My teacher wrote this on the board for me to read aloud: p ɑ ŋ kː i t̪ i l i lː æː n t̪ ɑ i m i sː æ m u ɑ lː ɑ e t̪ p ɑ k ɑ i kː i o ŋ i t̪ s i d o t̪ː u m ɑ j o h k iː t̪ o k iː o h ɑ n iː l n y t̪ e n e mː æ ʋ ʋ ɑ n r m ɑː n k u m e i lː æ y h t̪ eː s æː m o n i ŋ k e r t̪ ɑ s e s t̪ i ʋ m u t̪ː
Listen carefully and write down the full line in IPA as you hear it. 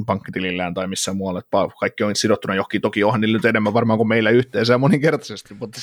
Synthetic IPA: p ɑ ŋ kː i t̪ i l i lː æː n t̪ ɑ i m i sː æ m u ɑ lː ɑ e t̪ p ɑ k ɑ i kː i o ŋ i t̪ s i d o t̪ː u n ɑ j o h k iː t̪ o k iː o h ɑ n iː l n y t̪ e n e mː æ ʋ ʋ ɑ r m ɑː ŋ k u m e i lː æ y h t̪ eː s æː m o n i ŋ k e r t̪ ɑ s e s t̪ i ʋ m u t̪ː